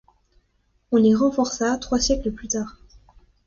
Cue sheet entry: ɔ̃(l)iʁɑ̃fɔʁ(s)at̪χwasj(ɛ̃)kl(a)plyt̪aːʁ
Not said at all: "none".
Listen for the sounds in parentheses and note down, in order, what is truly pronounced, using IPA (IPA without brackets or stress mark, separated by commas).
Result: l, s, ɛ, ə